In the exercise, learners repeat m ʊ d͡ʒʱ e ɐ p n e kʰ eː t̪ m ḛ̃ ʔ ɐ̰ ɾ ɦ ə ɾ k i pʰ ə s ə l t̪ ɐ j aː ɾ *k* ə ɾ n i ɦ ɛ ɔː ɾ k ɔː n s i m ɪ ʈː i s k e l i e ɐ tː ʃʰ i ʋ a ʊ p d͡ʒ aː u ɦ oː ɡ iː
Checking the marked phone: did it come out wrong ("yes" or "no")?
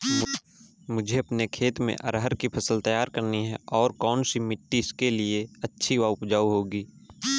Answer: no